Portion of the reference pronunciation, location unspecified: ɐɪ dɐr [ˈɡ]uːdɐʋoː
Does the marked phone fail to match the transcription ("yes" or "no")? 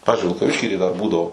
yes